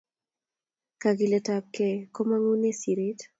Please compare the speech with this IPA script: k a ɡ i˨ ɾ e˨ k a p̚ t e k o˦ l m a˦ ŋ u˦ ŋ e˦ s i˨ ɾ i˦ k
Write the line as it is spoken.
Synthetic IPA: k a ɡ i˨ l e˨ t a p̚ k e k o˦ m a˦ ŋ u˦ n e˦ s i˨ ɾ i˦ t